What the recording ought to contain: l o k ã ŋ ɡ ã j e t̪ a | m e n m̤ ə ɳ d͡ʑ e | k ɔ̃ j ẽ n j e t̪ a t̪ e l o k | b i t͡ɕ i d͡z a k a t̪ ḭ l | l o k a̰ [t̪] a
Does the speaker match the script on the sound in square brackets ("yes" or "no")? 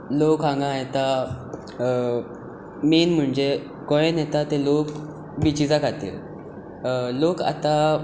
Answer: yes